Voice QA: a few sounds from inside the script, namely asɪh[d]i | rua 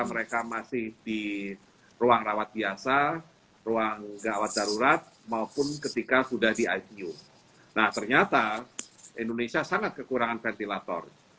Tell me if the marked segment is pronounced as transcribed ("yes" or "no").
yes